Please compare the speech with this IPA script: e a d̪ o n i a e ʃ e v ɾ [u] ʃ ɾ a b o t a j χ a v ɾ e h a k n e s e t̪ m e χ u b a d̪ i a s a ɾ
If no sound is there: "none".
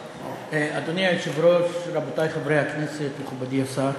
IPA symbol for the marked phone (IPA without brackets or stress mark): o